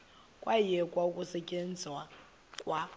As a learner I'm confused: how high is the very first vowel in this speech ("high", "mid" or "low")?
low